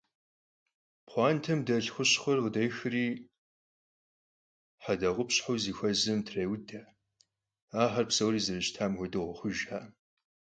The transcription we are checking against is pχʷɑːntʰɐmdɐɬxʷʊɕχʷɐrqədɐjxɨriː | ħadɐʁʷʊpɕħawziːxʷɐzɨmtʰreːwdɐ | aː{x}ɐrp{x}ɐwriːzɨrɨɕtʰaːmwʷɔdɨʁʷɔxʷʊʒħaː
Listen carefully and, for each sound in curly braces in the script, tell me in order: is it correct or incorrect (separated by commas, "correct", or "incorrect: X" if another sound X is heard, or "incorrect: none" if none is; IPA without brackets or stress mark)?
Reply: incorrect: ħ, incorrect: s